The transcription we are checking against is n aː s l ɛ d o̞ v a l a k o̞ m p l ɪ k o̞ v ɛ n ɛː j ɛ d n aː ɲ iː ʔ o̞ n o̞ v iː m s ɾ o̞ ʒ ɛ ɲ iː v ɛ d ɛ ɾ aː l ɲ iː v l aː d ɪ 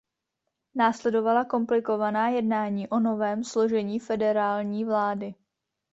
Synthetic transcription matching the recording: n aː s l ɛ d o̞ v a l a k o̞ m p l ɪ k o̞ v a n aː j ɛ d n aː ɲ iː ʔ o̞ n o̞ v ɛː m s l o̞ ʒ ɛ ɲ iː f ɛ d ɛ ɾ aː l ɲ iː v l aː d ɪ